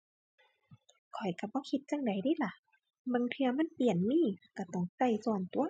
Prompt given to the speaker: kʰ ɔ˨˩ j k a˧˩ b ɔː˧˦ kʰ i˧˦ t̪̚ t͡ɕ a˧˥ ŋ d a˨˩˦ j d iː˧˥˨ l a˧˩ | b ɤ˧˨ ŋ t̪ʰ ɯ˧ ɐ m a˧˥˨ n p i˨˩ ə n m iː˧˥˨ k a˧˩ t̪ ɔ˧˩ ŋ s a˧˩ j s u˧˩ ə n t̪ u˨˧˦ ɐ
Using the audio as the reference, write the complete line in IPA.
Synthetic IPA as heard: kʰ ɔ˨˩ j k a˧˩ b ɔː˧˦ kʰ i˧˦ t̪̚ t͡ɕ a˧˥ ŋ d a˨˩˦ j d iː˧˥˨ l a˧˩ | b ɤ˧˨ ŋ t̪ʰ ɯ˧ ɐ m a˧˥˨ n p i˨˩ ə n m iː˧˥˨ k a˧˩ t̪ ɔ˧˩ ŋ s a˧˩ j s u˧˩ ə n t̪ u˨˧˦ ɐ